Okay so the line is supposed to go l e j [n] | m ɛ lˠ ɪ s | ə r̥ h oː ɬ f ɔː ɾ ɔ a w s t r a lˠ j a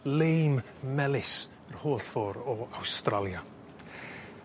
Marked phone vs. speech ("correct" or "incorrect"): incorrect